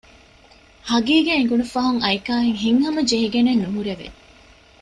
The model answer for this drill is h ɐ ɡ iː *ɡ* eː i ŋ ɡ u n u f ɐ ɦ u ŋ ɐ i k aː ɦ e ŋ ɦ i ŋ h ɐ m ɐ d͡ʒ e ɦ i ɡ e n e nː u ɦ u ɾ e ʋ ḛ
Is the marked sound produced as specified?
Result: yes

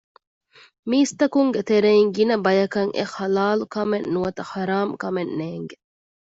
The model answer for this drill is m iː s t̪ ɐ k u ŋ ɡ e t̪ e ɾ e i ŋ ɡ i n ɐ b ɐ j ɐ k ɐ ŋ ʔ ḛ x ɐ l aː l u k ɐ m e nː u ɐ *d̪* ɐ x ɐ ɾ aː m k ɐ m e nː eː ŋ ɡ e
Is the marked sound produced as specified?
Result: no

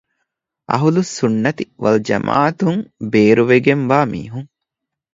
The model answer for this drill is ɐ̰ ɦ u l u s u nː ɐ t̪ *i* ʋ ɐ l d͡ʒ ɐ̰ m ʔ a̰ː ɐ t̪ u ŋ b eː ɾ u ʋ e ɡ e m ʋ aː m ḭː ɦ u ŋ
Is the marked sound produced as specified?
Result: yes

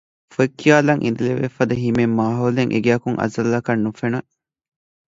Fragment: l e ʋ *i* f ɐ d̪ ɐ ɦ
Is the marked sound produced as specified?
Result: no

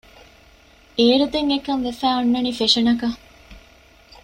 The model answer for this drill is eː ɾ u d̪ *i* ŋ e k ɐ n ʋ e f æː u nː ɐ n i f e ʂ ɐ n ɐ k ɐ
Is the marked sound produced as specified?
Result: no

